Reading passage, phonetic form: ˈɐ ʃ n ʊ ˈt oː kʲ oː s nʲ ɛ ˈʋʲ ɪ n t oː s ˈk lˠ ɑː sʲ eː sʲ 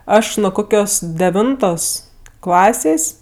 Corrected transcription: ˈɐ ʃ n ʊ ˈk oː kʲ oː s dʲ ɛ ˈʋʲ ɪ n t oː s ˈk lˠ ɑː sʲ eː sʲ